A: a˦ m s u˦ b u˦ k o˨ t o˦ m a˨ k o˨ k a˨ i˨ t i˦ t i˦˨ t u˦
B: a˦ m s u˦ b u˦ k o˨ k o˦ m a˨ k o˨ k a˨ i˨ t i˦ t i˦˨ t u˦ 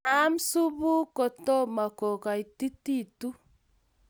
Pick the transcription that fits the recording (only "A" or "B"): A